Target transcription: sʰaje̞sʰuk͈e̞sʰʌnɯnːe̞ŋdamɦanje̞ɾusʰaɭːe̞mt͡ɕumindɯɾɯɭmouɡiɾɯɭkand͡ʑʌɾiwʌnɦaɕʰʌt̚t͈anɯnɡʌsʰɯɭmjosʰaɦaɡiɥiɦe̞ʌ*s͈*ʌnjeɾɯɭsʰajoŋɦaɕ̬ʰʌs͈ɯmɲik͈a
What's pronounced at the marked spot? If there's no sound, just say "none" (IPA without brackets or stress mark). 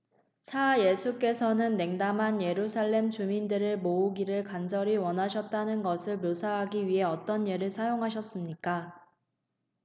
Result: t͈